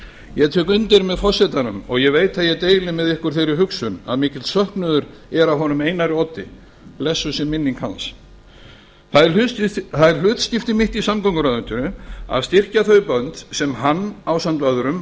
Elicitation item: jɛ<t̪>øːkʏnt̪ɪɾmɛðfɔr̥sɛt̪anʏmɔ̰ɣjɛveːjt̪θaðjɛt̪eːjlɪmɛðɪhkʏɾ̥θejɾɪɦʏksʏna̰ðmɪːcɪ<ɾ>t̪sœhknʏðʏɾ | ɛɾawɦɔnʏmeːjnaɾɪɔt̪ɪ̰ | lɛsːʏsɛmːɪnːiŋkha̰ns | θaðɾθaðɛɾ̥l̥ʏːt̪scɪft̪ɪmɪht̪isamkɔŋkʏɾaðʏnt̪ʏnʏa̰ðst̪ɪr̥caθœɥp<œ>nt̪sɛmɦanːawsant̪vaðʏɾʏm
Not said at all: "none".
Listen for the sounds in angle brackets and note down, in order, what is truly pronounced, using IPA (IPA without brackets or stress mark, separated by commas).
t̪ʰ, l, œ